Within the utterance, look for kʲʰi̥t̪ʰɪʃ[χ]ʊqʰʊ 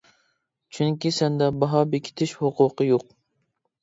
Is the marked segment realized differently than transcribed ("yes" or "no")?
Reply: yes